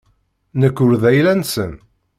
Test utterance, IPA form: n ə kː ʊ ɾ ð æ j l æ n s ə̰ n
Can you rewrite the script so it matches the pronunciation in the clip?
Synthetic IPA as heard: n ə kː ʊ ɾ ð æ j l æ n s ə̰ n